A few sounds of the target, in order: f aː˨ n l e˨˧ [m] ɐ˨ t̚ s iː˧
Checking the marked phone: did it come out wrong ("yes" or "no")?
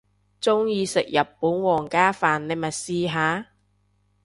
no